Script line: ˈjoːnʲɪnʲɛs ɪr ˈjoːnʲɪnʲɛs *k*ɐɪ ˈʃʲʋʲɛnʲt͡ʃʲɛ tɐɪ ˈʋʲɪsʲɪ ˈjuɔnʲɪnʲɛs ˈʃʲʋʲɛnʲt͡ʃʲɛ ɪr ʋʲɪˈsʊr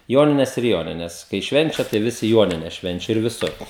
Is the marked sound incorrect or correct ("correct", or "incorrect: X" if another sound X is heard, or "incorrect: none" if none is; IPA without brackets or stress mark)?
correct